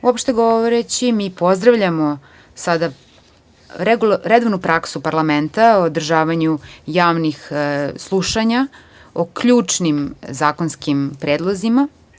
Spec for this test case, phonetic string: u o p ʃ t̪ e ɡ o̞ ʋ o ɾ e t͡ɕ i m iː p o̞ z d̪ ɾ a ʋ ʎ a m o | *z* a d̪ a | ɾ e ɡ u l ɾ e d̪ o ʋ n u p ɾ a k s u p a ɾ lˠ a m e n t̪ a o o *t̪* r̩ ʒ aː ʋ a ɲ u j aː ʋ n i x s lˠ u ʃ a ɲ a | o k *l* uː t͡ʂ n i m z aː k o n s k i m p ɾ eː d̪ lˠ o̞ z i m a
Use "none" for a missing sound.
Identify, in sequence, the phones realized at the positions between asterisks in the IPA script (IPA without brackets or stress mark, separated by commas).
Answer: s, d̪, ʎ